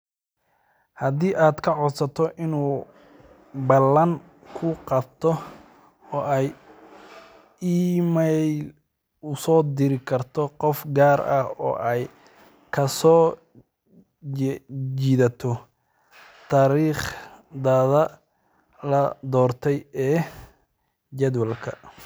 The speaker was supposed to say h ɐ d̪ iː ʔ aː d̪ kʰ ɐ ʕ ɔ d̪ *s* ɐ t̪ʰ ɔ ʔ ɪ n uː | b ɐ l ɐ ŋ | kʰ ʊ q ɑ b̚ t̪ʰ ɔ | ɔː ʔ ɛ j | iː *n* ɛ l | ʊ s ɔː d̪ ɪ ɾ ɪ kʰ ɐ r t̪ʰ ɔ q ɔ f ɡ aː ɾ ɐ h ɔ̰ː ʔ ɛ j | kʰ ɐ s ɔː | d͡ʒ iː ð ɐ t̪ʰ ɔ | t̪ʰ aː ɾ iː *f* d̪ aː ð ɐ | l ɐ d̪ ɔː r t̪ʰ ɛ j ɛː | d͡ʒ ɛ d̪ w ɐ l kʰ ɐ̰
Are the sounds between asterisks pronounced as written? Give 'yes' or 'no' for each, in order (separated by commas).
yes, no, no